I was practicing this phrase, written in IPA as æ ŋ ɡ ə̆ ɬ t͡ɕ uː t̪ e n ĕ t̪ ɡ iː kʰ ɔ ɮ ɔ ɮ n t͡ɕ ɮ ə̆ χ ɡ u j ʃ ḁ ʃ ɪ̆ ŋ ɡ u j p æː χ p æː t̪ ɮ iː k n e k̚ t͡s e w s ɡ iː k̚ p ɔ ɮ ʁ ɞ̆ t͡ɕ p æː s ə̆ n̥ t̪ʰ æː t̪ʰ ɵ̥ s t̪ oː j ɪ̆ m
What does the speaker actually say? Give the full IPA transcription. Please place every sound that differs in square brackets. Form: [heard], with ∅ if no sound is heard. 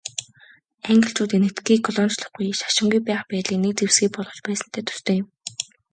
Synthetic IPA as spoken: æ ŋ ɡ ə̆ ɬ t͡ɕ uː t̪ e n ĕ t̪ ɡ iː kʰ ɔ ɮ ɔ [∅] n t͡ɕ ɮ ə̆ χ ɡ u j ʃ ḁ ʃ ɪ̆ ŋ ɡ u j p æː χ p æː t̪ ɮ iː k n e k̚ t͡s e w s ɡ iː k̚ p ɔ ɮ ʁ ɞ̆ t͡ɕ p æː s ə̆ n̥ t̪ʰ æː t̪ʰ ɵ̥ s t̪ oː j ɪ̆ m